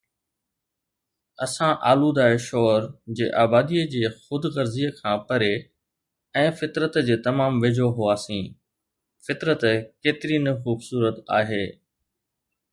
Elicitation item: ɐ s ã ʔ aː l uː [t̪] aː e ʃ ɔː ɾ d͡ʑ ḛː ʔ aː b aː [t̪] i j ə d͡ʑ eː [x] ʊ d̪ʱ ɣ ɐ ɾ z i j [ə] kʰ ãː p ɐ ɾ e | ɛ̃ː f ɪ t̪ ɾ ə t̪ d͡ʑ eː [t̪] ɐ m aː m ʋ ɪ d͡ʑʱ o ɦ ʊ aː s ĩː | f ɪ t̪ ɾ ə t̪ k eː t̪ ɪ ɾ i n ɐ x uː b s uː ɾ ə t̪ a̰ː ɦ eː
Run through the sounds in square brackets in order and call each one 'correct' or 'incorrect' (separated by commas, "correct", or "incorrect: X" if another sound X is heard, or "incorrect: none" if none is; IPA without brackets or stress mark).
incorrect: d̪, incorrect: d̪, correct, correct, correct